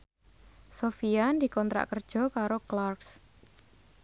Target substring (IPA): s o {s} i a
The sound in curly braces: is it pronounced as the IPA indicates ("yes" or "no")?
no